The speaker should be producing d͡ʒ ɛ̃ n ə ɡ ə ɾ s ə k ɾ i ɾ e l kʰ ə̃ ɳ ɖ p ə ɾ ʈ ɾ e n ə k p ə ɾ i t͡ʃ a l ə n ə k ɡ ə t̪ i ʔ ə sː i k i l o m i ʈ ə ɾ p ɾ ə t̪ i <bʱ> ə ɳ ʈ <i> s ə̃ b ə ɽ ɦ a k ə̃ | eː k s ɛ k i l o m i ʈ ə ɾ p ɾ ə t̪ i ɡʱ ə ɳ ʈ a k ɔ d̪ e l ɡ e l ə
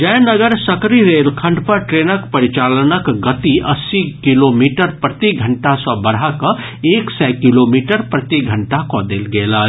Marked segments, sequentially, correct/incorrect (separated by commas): incorrect, incorrect